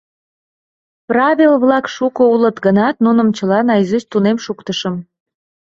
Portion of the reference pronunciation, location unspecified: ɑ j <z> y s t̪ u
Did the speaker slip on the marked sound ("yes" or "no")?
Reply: no